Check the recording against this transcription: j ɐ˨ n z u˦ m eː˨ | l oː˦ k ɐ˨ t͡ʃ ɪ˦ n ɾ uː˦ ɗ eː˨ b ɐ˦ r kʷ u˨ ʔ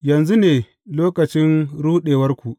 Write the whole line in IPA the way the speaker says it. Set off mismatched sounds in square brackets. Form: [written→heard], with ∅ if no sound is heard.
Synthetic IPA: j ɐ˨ n z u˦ [m→n] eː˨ | l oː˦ k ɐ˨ t͡ʃ ɪ˦ n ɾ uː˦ ɗ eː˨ [b→w] ɐ˦ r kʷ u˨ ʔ